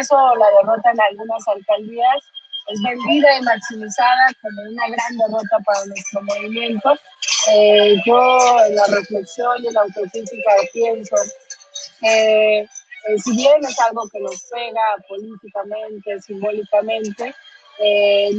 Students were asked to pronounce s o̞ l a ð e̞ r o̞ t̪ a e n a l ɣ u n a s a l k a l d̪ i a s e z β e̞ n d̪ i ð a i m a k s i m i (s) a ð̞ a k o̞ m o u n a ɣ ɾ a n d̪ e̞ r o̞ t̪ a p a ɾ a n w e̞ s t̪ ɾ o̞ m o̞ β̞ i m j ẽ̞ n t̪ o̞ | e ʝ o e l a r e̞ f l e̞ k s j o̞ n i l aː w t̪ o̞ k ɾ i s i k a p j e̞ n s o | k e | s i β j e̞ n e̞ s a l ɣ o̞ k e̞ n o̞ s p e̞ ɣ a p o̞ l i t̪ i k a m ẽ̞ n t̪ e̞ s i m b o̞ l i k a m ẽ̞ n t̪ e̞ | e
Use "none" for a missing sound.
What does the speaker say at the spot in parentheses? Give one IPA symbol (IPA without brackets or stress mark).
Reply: s